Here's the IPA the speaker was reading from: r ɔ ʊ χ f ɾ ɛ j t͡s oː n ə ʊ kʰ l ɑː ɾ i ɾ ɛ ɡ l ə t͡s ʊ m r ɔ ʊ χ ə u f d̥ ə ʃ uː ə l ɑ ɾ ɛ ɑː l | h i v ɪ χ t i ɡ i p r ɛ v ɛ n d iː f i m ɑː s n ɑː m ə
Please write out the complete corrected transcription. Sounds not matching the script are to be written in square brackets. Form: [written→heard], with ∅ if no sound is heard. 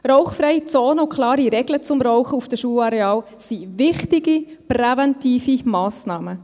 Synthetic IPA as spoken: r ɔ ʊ χ f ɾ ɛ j t͡s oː n ə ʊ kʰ l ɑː ɾ i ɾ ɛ ɡ l ə t͡s ʊ m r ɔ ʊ χ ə u f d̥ ə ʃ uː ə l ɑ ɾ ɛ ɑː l | [h→s] i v ɪ χ t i ɡ i p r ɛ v ɛ n [d→t] iː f i m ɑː s n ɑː m ə